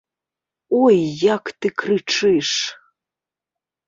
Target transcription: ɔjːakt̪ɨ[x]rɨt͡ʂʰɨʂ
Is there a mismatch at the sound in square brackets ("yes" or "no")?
yes